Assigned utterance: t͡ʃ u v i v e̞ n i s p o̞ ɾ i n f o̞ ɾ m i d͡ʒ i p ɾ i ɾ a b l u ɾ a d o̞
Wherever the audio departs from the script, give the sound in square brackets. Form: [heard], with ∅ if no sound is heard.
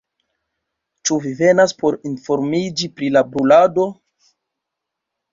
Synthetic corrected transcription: t͡ʃ u v i v e̞ n [a] s p o̞ ɾ i n f o̞ ɾ m i d͡ʒ i p ɾ i [l] a b [ɾ] u [l] a d o̞